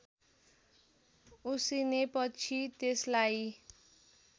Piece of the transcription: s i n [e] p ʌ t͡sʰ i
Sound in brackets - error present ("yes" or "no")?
no